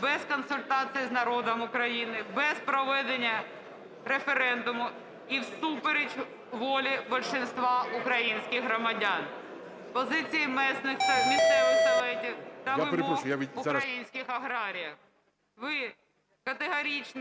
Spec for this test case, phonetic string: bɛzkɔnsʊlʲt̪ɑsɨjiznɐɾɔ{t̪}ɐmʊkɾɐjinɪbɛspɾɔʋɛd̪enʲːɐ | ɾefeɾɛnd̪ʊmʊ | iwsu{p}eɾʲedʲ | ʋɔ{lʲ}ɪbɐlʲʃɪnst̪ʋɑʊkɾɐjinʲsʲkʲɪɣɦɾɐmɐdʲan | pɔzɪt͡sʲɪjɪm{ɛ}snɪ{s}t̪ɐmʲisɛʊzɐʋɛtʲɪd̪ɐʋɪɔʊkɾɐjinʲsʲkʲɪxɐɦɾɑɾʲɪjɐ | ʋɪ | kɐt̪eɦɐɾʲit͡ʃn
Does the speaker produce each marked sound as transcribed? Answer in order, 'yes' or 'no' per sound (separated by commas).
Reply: no, yes, yes, yes, no